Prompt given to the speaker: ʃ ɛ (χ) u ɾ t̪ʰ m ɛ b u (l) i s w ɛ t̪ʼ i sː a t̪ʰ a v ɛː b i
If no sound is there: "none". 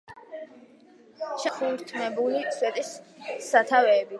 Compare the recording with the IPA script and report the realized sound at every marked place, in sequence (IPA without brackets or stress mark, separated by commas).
χ, l